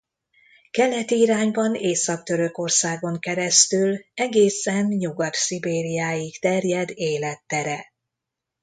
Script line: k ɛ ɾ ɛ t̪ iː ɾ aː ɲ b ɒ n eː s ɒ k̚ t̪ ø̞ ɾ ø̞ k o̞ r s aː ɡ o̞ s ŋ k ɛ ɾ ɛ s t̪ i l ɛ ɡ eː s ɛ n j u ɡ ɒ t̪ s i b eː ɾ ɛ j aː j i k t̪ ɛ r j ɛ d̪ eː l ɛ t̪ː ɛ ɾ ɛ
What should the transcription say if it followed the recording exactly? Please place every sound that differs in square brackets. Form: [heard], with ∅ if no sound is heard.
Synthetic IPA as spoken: k ɛ [l] ɛ t̪ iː ɾ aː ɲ b ɒ n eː s ɒ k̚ t̪ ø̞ ɾ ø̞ k o̞ r s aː ɡ o̞ [∅] ŋ k ɛ ɾ ɛ s t̪ [y] l ɛ ɡ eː s ɛ n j u ɡ ɒ t̪ s i b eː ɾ [i] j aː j i k t̪ ɛ r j ɛ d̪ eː l ɛ t̪ː ɛ ɾ ɛ